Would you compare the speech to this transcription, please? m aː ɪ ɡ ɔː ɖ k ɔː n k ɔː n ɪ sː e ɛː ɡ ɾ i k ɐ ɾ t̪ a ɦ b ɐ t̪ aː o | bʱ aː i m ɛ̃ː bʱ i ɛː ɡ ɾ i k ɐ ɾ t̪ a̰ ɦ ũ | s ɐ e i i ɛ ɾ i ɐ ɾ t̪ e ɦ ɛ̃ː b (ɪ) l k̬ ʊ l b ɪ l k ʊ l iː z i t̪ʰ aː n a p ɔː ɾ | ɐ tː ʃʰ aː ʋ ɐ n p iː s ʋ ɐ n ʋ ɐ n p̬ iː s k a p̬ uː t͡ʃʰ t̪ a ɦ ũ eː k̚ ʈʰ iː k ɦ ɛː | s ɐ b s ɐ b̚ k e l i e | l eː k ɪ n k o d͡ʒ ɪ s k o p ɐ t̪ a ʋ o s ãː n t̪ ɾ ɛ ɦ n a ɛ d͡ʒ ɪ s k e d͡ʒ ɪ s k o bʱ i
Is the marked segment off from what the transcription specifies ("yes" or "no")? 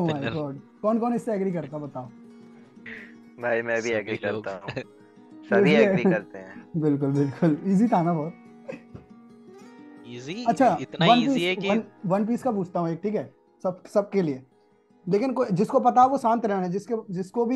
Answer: no